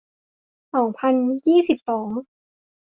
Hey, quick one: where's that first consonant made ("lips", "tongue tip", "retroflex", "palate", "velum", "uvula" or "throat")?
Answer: tongue tip